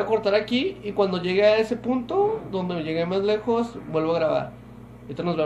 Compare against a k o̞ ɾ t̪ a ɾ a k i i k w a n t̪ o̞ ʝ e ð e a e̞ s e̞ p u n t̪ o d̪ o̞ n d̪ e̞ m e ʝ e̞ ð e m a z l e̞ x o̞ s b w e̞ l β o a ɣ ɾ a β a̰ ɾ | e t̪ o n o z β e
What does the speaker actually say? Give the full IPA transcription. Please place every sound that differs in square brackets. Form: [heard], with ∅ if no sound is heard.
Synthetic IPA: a k o̞ ɾ t̪ a ɾ a k i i k w a n [d̪] o̞ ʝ e [ɣ] e a e̞ s e̞ p u n t̪ o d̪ o̞ n d̪ e̞ m e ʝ e̞ [ɣ] e m a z l e̞ x o̞ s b w e̞ l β o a ɣ ɾ a β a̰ ɾ | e t̪ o n o z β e